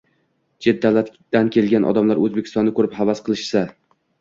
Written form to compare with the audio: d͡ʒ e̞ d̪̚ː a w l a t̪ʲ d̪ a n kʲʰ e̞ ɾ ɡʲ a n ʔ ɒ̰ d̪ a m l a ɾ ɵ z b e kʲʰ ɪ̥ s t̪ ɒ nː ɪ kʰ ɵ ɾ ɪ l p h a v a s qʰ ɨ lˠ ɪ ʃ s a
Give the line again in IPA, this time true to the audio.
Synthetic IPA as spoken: d͡ʒ e̞ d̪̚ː a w l a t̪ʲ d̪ a n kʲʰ e̞ l ɡʲ a n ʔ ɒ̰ d̪ a m l a ɾ ɵ z b e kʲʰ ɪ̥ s t̪ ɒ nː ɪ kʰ ɵ ɾ ɪ p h a v a s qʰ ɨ lˠ ɪ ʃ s a